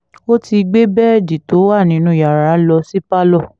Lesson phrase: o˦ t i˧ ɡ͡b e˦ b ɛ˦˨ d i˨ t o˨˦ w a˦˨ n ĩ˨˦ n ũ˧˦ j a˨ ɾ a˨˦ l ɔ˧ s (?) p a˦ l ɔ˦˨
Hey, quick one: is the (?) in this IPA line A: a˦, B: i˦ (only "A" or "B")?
B